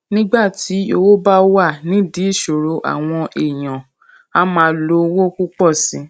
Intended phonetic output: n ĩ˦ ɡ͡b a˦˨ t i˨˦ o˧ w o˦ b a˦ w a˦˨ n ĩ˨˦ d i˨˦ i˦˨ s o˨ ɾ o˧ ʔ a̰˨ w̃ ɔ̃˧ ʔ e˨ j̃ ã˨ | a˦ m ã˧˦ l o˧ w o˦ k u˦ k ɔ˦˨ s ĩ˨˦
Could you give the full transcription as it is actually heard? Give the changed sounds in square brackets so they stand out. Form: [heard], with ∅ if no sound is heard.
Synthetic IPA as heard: n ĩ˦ ɡ͡b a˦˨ t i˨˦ o˧ w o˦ b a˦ w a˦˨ n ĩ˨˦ d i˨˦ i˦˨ [ʃ] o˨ ɾ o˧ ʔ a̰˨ w̃ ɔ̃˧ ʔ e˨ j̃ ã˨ | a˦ m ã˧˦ l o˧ w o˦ k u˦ [k͡p] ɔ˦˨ s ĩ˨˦